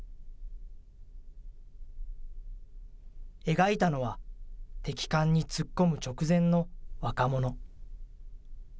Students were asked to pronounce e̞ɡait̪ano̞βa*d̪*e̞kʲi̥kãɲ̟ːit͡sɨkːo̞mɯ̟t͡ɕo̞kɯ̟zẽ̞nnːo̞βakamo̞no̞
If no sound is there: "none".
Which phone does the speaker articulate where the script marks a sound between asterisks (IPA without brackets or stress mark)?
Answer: t̪